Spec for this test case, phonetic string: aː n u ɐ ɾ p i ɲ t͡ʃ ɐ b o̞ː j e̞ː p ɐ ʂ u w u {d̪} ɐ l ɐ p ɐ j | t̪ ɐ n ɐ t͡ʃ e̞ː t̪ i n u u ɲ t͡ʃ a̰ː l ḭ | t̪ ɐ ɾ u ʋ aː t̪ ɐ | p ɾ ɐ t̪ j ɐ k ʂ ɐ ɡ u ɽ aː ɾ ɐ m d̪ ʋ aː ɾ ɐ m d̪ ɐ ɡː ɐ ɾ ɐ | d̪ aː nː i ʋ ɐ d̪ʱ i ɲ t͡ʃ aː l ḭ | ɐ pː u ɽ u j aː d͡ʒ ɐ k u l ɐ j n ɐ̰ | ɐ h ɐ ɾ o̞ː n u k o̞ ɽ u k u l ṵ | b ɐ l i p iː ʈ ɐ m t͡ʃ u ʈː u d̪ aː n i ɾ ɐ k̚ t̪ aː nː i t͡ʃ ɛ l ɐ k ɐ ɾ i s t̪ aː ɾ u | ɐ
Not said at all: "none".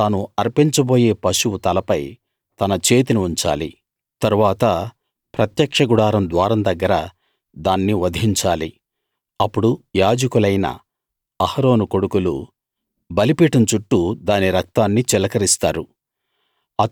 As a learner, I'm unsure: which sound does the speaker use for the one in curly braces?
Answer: t̪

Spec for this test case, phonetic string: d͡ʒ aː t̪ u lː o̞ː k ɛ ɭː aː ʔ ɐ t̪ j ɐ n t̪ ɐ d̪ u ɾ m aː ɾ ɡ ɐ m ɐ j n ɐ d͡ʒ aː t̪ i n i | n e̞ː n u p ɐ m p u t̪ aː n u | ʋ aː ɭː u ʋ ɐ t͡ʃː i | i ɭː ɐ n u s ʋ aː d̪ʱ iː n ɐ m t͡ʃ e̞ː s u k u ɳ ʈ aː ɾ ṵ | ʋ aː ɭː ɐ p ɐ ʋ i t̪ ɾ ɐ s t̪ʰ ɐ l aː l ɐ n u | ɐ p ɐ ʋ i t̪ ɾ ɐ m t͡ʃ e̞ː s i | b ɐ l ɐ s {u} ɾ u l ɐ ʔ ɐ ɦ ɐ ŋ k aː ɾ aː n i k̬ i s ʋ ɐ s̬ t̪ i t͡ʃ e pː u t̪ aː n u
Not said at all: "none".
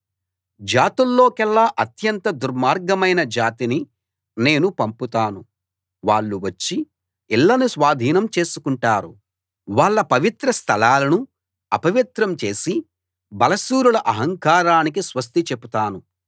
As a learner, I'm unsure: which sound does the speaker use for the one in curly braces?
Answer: uː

